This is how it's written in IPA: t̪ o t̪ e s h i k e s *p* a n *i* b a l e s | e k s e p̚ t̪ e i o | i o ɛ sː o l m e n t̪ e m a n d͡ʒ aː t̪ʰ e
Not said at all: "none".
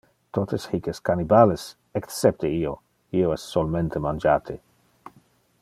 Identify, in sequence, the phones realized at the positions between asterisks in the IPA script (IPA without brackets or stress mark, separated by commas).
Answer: k, i